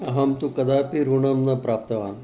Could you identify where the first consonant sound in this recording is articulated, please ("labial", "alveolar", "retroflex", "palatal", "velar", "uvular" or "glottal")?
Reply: glottal